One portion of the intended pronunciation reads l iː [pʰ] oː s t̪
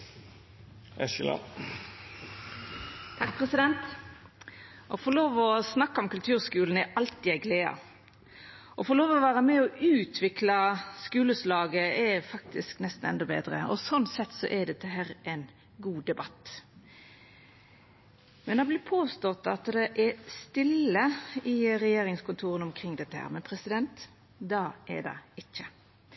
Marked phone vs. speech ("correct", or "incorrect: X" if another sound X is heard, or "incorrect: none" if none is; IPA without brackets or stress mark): correct